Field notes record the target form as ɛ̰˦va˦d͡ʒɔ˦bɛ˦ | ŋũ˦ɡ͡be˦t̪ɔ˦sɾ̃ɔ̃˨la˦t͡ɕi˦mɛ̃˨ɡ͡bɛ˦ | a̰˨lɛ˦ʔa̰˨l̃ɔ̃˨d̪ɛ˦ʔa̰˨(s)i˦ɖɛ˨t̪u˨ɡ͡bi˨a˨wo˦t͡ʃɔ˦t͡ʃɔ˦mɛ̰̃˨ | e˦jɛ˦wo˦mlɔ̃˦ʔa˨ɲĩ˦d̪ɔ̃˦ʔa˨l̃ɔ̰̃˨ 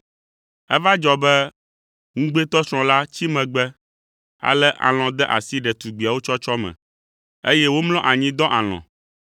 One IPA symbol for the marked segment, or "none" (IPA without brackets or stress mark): s